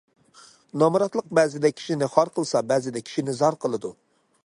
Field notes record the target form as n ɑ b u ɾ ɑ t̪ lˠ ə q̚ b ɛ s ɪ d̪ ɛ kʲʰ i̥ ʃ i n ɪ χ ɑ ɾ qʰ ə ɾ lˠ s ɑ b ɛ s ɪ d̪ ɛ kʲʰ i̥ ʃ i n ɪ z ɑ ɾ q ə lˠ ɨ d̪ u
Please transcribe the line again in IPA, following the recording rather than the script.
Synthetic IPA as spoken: n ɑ m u ɾ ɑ t̪ lˠ ə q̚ b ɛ z ɪ d̪ ɛ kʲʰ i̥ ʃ i n ɪ χ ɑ ɾ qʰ ə lˠ s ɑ b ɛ z ɪ d̪ ɛ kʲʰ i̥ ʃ i n ɪ z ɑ ɾ q ə lˠ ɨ d̪ u